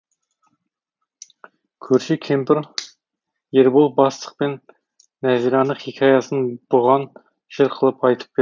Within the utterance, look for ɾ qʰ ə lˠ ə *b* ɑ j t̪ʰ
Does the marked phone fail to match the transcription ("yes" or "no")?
yes